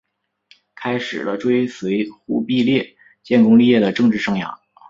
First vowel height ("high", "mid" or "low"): low